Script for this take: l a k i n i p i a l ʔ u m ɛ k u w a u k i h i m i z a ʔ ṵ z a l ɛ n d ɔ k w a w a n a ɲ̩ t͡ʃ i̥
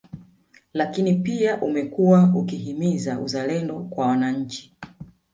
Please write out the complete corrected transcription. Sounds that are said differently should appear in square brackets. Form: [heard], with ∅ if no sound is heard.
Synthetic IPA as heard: l a k i n i p i a [∅] ʔ u m ɛ k u w a u k i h i m i z a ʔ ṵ z a l ɛ n d ɔ k w a w a n a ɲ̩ t͡ʃ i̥